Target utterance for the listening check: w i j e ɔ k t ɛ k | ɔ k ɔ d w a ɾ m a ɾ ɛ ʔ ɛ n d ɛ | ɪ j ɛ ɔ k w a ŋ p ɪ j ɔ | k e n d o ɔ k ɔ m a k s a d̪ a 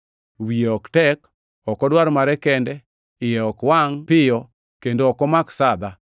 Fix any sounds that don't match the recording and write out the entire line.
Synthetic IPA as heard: w i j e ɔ k t ɛ k | ɔ k ɔ d w a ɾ m a ɾ ɛ k ɛ n d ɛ | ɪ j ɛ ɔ k w a ŋ p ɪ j ɔ | k e n d o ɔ k ɔ m a k s a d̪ a